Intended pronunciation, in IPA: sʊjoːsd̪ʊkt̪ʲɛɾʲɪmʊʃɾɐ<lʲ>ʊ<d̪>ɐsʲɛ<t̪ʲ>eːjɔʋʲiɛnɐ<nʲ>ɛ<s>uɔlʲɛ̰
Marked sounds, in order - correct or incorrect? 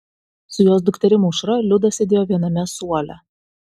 correct, correct, incorrect: d̪ʲ, incorrect: mʲ, correct

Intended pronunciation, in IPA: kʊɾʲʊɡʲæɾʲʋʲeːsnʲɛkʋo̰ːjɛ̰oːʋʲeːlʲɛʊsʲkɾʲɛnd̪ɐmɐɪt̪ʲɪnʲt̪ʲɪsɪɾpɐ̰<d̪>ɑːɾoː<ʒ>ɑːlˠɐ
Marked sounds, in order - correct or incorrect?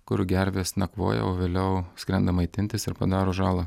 correct, correct

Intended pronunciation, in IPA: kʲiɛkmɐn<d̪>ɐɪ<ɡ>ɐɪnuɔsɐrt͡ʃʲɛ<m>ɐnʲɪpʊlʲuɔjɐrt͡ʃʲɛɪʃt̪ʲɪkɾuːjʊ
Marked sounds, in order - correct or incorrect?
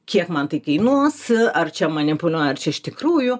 incorrect: t̪, incorrect: k, correct

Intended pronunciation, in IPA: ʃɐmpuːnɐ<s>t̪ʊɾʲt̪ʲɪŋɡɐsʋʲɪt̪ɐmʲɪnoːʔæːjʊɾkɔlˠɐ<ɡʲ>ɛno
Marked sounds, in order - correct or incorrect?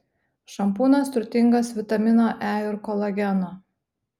correct, correct

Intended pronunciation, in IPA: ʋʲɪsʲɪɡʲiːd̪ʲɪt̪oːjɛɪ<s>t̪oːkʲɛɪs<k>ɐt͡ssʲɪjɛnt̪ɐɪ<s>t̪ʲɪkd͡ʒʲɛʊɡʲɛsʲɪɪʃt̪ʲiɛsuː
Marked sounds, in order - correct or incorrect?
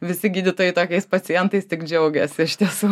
incorrect: none, incorrect: p, correct

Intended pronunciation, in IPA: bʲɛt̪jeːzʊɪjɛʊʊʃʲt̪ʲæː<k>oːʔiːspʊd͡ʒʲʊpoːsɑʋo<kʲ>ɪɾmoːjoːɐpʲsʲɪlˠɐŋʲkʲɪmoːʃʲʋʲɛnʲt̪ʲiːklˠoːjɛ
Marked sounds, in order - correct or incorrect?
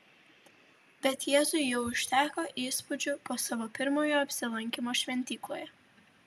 correct, incorrect: pʲ

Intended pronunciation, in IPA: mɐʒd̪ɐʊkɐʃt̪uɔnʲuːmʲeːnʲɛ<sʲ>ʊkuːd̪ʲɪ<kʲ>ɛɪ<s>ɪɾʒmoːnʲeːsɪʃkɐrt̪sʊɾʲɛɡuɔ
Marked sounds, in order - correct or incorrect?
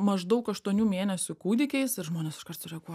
correct, correct, correct

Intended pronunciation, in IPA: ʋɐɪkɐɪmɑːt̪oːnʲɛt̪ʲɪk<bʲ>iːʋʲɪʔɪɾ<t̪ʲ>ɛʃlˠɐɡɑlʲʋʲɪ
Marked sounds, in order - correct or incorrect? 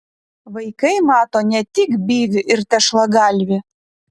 correct, correct

